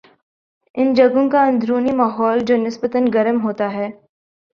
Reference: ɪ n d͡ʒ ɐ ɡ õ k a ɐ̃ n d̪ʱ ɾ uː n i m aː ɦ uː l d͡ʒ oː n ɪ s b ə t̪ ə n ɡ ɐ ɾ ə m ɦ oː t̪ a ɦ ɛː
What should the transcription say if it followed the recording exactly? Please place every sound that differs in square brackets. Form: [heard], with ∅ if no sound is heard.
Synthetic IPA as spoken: ɪ n d͡ʒ ɐ ɡ õ k a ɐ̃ n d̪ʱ ɾ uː n i m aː ɦ [ɔː] l d͡ʒ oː n ɪ s b ə t̪ ə n ɡ ɐ ɾ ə m ɦ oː t̪ a ɦ ɛː